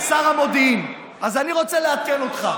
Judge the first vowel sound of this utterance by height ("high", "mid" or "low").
low